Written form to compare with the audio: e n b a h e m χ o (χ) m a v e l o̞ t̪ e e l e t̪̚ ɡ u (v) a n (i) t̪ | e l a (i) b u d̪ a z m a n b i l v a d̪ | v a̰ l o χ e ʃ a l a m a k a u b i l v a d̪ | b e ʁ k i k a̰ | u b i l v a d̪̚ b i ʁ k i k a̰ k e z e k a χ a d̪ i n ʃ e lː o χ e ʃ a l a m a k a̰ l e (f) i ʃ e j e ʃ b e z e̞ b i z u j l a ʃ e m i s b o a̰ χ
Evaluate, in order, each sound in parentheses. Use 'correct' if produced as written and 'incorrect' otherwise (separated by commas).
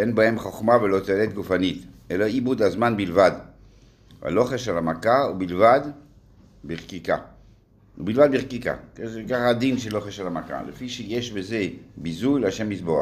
correct, incorrect, correct, correct, correct